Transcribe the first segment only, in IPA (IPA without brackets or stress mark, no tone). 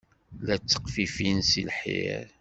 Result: l